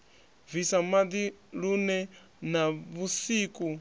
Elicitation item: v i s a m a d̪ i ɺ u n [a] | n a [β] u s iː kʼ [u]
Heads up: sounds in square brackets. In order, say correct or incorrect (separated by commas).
incorrect, correct, correct